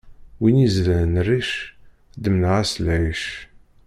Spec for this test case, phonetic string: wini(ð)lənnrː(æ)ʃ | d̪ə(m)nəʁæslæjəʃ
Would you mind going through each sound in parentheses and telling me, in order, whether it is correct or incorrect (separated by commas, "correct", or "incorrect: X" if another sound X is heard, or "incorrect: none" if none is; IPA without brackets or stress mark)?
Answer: incorrect: z, incorrect: i, correct